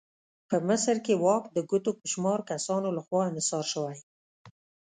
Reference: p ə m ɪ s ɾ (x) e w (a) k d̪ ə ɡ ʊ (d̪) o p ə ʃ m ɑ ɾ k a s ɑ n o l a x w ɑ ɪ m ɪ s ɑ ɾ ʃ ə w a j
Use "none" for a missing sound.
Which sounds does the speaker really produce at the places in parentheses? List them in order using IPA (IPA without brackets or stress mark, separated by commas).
k, ɑ, t̪